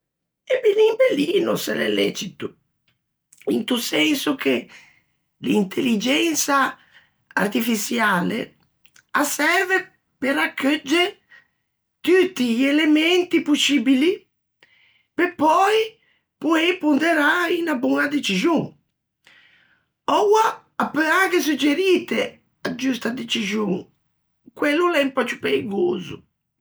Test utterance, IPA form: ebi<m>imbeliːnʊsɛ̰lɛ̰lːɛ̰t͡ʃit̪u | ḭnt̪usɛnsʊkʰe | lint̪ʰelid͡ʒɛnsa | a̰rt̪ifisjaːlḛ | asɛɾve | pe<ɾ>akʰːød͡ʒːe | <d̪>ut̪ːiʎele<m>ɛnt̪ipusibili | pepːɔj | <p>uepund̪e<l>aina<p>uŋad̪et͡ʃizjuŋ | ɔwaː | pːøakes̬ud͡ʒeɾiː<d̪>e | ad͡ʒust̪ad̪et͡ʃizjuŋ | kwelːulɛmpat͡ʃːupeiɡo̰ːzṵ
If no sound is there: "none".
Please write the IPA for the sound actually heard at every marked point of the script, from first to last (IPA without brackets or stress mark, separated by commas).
n, ɾ, t̪, m, p, ɾ, b, t̪